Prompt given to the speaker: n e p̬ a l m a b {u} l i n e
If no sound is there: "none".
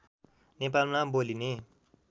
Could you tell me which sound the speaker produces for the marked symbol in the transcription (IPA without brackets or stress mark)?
o